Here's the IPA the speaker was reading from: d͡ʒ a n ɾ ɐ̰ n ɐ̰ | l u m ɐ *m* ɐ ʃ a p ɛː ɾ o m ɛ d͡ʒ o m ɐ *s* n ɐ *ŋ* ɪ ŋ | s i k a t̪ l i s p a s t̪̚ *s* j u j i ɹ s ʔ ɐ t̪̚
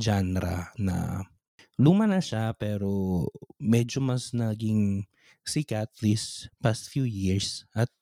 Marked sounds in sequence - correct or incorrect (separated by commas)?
incorrect, correct, incorrect, incorrect